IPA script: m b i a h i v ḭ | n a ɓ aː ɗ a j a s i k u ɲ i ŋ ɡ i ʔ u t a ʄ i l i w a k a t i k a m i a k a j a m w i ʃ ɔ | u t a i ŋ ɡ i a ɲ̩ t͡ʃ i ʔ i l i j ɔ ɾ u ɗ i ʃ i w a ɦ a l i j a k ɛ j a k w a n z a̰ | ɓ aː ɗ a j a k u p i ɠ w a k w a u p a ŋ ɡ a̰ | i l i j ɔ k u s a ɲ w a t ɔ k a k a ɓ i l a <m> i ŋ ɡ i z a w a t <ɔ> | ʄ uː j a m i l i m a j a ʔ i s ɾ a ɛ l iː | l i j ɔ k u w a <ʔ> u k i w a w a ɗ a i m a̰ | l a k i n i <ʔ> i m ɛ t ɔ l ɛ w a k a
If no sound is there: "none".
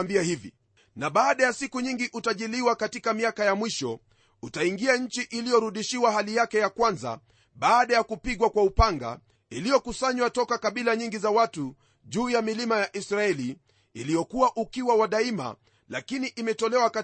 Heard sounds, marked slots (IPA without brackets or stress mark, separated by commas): ɲ, u, ʔ, ʔ